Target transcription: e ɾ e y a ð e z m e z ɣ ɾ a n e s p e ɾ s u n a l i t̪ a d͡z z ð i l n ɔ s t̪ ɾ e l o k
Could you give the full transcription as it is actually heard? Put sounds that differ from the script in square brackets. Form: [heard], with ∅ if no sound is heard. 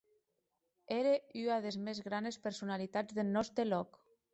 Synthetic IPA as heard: e ɾ e y a ð e z m e z ɣ ɾ a n e s p e ɾ s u n a l i t̪ a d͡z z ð [e] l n ɔ s t̪ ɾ e l [ɔ] k

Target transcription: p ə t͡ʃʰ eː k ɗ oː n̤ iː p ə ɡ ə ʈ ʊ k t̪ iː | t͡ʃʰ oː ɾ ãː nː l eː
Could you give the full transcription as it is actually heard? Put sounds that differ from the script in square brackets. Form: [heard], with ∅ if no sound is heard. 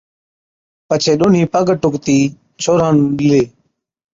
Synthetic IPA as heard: p ə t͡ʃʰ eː [∅] ɗ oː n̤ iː p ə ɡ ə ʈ ʊ k t̪ iː | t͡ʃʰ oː ɾ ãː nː l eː

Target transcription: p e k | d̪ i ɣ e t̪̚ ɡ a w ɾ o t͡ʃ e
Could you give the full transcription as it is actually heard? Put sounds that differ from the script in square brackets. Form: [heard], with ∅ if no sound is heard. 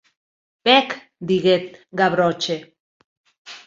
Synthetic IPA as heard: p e k | d̪ i ɣ e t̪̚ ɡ a [β] ɾ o t͡ʃ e

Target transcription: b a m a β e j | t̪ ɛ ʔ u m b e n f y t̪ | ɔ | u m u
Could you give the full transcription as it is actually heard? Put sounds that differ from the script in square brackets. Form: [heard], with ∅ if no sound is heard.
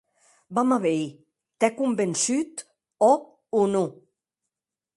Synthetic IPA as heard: b a m a β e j | t̪ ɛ [k] u m b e n [s] y t̪ | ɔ | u [n] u

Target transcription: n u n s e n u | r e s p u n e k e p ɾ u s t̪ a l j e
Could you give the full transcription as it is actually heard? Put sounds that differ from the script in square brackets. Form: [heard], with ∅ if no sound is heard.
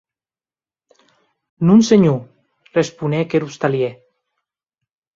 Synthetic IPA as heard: n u n s e [ɲ] u | r e s p u n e k e [∅] ɾ u s t̪ a l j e

